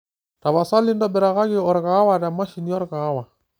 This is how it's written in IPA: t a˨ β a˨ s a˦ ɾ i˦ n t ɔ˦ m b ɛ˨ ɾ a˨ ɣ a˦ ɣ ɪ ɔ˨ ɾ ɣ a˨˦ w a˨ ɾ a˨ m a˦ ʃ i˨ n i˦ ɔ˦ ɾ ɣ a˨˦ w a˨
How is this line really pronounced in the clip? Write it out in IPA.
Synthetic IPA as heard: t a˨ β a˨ s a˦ l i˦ n d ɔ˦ b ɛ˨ ɾ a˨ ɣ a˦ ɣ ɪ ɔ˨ ɾ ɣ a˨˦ w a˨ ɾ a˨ m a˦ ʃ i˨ n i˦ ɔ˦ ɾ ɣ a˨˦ w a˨